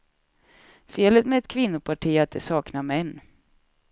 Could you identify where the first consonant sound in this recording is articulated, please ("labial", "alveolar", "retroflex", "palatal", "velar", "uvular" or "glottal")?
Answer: labial